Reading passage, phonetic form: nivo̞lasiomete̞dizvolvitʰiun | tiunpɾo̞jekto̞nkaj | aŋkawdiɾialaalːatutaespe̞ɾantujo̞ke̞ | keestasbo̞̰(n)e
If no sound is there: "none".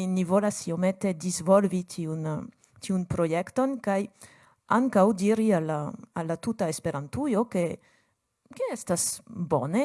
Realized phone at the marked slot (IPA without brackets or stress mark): n